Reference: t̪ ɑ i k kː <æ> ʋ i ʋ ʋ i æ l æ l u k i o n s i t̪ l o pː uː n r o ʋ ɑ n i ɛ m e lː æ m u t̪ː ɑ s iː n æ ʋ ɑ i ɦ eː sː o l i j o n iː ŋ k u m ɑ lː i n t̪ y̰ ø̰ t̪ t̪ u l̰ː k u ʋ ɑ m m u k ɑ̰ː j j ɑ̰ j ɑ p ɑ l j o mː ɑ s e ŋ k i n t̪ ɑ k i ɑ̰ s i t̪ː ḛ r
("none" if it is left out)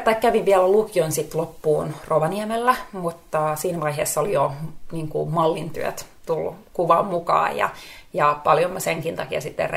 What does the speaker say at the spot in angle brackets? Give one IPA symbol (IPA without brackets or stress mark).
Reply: æ